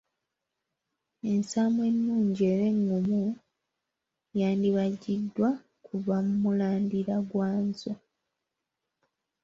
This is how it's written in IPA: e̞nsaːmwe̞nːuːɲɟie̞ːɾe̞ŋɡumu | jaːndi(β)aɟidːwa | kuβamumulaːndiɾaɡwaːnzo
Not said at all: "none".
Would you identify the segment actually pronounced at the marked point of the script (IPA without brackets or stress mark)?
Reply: β